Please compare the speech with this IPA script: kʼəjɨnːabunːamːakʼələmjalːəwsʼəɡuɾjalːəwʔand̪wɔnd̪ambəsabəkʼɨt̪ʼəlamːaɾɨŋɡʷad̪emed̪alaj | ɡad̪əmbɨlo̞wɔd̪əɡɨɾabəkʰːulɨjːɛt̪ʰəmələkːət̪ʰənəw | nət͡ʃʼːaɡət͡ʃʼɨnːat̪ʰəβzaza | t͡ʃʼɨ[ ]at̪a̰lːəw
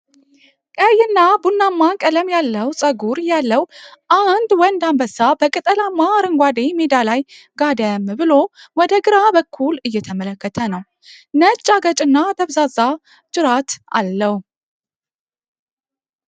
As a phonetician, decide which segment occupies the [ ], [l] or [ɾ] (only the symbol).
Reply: ɾ